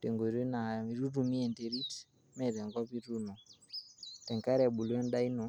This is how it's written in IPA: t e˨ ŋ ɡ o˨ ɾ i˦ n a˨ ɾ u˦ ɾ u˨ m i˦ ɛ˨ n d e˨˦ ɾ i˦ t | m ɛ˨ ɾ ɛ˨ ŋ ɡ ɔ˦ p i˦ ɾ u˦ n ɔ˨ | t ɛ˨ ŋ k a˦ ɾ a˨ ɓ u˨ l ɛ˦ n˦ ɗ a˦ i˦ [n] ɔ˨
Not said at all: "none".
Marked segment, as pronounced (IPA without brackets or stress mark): n